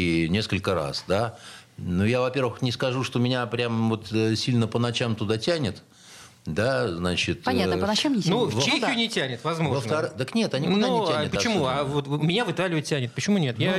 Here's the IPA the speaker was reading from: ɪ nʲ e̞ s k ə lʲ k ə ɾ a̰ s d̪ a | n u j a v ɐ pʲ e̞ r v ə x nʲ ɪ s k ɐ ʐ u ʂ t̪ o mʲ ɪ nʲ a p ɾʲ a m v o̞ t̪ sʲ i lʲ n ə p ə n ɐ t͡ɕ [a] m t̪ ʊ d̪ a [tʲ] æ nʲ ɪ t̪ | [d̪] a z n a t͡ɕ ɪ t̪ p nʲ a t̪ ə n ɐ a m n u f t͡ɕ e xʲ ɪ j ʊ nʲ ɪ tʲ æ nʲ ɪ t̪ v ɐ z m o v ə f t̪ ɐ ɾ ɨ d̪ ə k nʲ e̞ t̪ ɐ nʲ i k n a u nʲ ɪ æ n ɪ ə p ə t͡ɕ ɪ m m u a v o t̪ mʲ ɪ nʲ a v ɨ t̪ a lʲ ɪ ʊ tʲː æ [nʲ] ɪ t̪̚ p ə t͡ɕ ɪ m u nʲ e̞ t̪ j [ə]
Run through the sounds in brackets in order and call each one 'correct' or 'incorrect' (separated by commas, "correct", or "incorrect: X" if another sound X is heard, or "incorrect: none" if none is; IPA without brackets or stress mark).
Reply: correct, correct, correct, correct, incorrect: a